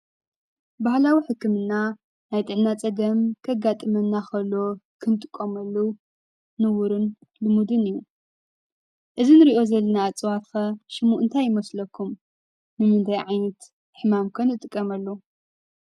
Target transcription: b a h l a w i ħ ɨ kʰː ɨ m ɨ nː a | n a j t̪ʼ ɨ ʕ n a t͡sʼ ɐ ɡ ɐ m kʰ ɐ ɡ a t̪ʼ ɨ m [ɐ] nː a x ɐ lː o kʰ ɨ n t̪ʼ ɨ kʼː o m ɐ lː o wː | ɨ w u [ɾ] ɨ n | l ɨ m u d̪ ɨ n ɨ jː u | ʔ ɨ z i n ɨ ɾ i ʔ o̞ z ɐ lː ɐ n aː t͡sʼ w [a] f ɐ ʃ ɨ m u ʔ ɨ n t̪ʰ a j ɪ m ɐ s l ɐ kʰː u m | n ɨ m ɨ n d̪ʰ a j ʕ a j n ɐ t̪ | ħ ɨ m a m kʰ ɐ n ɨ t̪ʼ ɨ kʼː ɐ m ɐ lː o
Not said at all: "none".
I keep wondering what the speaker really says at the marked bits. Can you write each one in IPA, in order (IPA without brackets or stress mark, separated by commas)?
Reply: ɐ, ɾ, a